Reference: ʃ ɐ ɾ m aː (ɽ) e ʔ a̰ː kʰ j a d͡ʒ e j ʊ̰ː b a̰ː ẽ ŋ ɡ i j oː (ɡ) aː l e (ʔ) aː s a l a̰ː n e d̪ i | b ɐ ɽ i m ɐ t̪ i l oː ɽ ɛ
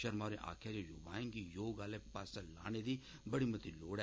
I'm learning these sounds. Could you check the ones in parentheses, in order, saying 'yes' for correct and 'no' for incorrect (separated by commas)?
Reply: no, yes, no